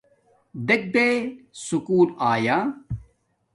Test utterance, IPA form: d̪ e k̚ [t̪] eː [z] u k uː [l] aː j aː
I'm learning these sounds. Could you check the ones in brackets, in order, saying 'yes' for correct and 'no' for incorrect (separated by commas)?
no, no, yes